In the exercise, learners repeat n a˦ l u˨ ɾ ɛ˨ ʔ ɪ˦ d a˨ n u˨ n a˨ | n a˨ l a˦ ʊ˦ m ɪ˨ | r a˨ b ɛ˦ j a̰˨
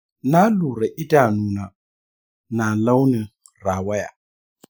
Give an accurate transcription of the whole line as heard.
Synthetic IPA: n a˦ l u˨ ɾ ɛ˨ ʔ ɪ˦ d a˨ n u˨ n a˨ | n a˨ l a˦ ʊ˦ n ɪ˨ | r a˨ w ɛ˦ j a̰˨